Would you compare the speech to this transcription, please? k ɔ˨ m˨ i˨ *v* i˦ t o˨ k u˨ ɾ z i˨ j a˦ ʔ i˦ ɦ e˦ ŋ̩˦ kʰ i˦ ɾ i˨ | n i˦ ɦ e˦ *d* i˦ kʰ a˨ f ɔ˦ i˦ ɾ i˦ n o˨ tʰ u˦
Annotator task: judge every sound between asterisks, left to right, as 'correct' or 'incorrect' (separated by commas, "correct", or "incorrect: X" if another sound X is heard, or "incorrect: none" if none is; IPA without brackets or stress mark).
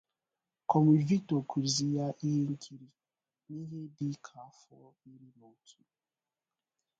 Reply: correct, correct